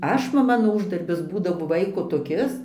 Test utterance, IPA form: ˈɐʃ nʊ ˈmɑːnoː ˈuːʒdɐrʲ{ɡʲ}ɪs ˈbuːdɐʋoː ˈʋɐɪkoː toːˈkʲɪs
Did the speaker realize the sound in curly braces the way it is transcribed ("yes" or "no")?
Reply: no